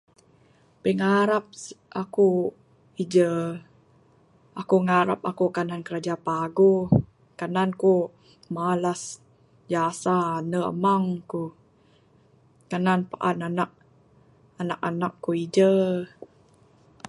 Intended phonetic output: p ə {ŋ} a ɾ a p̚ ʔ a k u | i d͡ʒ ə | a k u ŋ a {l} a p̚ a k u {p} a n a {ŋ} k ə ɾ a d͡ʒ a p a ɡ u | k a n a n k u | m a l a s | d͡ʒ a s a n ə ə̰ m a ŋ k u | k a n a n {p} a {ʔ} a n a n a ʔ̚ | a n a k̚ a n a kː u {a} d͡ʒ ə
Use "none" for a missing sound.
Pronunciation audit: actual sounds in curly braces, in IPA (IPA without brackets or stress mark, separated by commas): ŋ, ɾ, k, n, p, ʔ, i